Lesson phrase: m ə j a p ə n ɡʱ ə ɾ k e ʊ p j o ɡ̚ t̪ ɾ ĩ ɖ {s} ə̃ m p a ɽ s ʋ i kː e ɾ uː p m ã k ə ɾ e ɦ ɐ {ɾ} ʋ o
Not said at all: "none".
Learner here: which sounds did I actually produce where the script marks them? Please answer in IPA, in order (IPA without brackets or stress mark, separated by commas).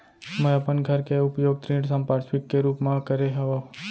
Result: s, none